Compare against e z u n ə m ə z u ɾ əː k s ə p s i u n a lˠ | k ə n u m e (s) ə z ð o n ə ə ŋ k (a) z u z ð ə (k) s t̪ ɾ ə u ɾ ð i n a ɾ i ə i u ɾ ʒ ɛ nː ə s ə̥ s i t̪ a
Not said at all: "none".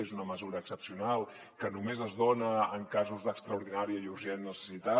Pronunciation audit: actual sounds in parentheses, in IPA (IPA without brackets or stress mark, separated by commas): z, a, k